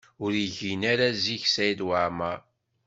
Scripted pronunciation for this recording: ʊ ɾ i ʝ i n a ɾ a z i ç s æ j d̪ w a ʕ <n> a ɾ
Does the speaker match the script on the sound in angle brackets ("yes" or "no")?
no